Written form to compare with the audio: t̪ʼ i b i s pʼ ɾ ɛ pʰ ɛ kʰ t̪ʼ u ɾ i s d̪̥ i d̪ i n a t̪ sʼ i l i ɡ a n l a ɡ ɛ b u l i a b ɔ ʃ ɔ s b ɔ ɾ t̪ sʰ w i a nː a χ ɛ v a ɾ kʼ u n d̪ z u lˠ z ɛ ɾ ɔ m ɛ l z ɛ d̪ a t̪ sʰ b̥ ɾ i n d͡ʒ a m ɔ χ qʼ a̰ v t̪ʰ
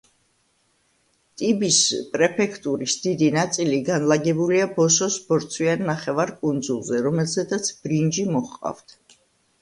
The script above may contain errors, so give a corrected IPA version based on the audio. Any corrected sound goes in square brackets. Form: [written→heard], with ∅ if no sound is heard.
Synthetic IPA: t̪ʼ i b i s pʼ ɾ ɛ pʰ ɛ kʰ t̪ʼ u ɾ i s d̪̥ i d̪ i n a t̪ sʼ i l i ɡ a n l a ɡ ɛ b u l i a b ɔ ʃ ɔ s b ɔ ɾ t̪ sʰ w i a nː a χ ɛ v a ɾ kʼ u n d̪ z u lˠ z ɛ ɾ ɔ m ɛ l z ɛ d̪ a t̪ sʰ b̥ ɾ i n d͡ʒ [a→i] m ɔ χ qʼ a̰ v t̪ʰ